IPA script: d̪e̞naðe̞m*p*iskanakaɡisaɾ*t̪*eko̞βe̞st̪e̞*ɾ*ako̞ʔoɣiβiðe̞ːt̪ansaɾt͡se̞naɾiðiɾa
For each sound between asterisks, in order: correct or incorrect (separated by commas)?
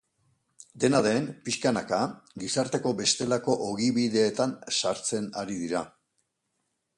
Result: correct, correct, incorrect